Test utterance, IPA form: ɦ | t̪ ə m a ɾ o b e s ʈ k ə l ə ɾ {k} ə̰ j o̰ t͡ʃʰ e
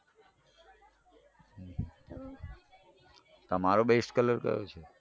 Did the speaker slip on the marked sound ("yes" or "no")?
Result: no